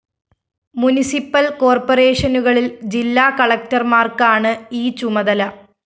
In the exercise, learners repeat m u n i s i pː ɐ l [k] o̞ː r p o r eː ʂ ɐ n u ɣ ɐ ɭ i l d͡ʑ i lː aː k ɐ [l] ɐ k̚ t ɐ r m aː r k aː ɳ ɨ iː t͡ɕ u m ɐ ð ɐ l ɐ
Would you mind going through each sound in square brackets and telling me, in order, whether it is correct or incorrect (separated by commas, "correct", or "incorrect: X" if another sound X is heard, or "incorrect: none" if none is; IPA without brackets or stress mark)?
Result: correct, incorrect: ɭ